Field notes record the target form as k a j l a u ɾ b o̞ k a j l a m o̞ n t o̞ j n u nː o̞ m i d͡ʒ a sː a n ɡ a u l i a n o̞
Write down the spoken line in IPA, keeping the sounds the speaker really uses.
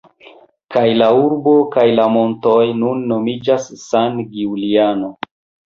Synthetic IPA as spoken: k a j l a u ɾ b o̞ k a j l a m o̞ n t o̞ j n u nː o̞ m i d͡ʒ a sː a n ɡ i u l i a n o̞